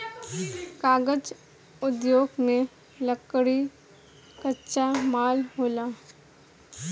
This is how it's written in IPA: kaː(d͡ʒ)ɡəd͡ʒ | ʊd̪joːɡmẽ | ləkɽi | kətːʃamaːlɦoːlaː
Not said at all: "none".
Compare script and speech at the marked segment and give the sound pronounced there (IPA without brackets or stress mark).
none